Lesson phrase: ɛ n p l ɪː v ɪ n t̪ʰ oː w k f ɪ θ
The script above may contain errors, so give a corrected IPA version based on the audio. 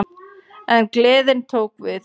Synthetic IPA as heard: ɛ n k l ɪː ð ɪ n t̪ʰ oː w k v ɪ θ